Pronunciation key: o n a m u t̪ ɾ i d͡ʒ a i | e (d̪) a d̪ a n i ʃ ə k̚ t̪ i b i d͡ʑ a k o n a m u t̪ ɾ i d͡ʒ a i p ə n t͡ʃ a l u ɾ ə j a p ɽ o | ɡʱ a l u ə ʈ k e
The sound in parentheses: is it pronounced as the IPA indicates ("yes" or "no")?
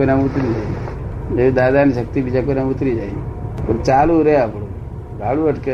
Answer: yes